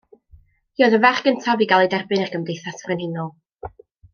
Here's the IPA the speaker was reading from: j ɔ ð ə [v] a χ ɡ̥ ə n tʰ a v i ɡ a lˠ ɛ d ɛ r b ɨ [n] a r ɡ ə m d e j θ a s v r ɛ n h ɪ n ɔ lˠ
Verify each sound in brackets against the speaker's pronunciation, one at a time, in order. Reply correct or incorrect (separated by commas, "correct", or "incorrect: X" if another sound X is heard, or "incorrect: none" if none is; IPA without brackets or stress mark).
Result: correct, correct